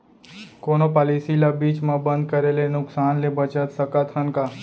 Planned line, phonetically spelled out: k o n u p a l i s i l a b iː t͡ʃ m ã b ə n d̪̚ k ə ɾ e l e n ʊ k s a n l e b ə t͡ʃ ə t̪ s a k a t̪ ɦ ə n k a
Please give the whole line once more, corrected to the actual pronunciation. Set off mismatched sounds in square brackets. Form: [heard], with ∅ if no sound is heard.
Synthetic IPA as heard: k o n [o] p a l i s i l a b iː t͡ʃ m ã b ə n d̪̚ k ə ɾ e l e n ʊ k s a n l e b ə t͡ʃ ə t̪ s [ə] k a t̪ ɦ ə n k a